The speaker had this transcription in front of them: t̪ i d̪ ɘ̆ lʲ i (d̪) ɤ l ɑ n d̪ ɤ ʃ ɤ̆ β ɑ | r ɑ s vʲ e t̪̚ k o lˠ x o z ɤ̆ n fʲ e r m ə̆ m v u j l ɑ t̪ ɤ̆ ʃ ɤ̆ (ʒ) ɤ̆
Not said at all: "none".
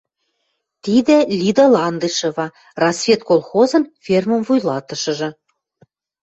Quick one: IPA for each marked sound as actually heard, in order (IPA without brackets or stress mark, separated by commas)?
d̪, ʒ